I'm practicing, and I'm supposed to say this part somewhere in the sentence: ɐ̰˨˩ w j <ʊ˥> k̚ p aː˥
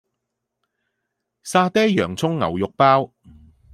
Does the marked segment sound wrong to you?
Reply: yes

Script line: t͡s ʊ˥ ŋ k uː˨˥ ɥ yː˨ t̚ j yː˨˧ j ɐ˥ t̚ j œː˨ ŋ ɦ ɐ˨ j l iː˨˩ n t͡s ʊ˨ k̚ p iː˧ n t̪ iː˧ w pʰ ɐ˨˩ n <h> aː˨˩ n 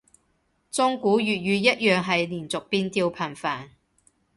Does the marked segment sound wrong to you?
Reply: yes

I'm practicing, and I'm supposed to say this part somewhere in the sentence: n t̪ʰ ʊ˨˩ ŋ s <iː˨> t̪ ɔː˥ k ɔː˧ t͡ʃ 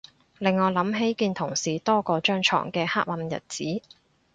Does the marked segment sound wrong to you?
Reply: no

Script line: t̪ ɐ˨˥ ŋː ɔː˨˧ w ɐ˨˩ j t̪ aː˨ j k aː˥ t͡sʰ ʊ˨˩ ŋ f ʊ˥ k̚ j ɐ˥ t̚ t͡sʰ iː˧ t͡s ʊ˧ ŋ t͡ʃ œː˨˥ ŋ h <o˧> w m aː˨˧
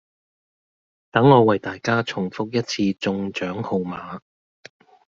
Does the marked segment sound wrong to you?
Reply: no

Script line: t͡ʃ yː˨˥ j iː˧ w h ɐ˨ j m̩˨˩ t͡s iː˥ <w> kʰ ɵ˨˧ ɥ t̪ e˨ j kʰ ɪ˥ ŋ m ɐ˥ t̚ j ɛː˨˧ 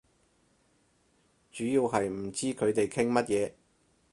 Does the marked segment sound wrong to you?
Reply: yes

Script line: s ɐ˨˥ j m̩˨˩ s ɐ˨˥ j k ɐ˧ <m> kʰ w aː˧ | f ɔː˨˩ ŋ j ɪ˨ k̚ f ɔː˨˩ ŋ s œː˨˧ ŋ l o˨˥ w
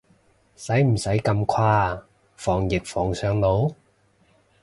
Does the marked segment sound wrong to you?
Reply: no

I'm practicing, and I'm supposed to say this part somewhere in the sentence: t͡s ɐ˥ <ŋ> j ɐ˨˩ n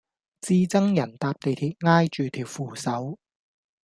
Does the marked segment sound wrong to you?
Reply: no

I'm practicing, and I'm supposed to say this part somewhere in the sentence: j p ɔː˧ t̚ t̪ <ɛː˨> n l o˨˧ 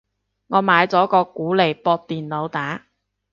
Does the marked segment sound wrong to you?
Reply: yes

